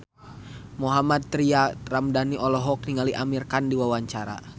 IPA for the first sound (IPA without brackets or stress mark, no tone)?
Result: m